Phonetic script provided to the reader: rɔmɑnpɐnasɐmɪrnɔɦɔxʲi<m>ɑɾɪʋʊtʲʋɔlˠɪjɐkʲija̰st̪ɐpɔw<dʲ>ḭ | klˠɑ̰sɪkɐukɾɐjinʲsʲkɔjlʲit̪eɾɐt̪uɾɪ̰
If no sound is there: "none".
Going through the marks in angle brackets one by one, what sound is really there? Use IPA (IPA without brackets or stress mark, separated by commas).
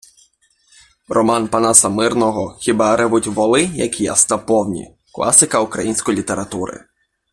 b, nʲ